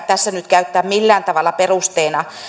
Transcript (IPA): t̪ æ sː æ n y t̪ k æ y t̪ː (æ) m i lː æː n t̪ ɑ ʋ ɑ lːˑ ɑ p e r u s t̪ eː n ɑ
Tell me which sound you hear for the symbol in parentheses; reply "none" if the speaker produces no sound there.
æː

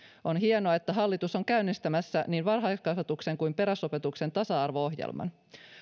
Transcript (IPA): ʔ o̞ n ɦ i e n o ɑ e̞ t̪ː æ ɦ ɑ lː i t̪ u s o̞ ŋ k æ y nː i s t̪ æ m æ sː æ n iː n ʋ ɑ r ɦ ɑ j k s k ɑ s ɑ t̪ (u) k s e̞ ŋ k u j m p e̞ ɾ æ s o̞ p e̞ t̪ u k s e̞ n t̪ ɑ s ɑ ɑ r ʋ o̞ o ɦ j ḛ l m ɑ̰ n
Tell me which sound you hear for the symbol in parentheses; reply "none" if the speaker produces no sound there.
u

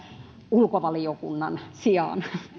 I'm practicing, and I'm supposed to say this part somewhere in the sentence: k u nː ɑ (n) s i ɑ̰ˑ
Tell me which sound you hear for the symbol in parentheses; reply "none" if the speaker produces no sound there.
n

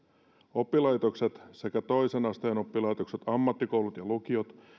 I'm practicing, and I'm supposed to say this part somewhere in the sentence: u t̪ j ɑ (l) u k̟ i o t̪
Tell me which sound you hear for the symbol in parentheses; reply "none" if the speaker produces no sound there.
l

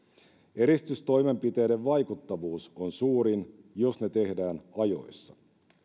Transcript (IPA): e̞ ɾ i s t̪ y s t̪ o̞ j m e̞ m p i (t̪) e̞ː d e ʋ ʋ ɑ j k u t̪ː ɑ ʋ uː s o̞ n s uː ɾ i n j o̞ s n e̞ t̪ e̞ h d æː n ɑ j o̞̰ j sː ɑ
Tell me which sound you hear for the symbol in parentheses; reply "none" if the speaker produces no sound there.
t̪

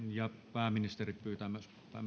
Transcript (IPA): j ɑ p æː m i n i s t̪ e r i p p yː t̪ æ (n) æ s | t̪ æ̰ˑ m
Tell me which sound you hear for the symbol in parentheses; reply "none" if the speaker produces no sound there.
m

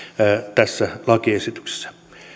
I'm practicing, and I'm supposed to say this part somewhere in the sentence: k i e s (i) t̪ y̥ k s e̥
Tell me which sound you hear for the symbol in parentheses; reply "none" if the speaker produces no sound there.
i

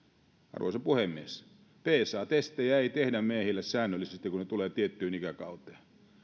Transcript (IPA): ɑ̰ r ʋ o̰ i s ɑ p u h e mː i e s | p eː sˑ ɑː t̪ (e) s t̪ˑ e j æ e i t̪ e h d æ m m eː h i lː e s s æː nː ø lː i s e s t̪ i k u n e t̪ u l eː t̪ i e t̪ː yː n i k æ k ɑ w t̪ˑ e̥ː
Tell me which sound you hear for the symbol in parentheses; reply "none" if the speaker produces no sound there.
e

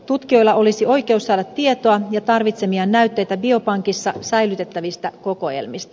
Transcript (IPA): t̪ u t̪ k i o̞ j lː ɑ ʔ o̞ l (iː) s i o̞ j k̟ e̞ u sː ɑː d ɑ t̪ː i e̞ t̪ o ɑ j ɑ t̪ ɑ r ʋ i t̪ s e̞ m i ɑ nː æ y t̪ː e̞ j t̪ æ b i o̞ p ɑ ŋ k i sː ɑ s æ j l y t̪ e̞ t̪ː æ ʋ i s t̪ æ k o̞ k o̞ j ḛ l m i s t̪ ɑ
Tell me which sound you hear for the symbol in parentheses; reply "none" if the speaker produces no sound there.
i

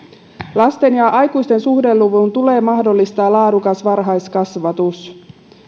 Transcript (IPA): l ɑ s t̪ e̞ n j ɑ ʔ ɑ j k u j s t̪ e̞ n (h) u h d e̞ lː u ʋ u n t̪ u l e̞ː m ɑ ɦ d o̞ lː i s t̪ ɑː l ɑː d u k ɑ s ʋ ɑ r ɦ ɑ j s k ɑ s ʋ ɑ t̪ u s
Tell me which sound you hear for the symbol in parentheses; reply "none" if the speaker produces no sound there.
s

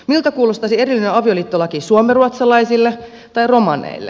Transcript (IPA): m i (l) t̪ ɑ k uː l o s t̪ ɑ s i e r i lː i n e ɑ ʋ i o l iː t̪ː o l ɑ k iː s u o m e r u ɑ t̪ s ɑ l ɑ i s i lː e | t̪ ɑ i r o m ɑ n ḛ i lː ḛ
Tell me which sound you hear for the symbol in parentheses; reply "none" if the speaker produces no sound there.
l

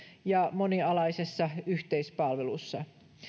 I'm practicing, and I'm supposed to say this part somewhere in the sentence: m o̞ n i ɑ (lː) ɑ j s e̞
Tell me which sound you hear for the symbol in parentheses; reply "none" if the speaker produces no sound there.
l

